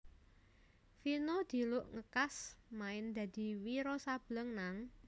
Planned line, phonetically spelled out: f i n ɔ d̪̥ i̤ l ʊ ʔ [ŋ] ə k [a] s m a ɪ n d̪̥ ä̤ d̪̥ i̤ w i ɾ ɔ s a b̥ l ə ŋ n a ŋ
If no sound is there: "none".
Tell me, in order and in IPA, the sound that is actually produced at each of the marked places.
ŋ, a

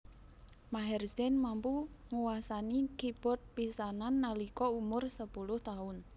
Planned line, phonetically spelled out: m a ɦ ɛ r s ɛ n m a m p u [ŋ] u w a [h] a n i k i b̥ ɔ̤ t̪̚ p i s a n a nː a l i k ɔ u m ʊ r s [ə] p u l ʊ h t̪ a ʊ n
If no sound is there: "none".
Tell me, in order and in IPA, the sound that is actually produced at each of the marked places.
ŋ, s, ə

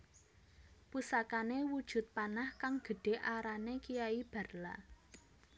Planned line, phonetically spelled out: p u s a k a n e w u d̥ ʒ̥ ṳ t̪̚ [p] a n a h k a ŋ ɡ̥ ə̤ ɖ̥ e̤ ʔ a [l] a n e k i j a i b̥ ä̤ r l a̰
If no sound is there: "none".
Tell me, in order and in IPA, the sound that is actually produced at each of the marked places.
p, ɾ

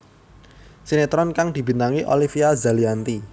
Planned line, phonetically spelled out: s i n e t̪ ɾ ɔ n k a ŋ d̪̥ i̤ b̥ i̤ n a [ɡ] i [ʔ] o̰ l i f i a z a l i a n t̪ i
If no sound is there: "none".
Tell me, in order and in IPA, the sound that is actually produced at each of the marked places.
ŋ, ʔ

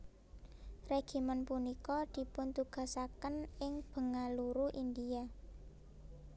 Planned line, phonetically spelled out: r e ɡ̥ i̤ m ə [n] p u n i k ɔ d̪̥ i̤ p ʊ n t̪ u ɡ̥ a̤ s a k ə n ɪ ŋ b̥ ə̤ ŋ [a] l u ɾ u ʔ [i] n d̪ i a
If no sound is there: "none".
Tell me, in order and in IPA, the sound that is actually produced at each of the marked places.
n, a, i

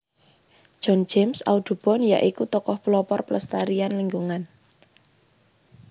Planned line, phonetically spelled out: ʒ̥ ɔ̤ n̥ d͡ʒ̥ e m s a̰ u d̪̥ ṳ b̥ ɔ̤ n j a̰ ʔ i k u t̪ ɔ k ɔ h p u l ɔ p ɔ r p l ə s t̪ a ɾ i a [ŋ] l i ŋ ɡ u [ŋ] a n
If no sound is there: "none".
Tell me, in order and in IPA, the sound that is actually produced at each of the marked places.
n, ŋ

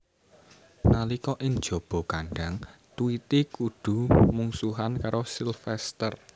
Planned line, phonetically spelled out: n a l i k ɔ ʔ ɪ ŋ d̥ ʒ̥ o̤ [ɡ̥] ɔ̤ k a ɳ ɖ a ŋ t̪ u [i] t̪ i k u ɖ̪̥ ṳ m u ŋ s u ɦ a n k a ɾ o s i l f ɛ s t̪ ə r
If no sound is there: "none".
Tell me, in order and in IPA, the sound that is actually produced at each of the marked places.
b̥, i

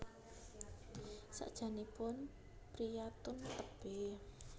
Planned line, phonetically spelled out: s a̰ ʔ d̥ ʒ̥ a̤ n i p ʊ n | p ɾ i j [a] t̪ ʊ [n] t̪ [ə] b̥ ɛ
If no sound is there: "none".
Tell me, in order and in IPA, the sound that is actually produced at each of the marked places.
a, n, ə

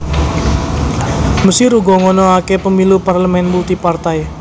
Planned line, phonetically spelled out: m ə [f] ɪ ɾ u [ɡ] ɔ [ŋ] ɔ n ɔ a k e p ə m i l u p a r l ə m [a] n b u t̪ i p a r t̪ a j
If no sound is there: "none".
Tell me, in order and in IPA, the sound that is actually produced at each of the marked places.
s, ɡ, ŋ, ɛ

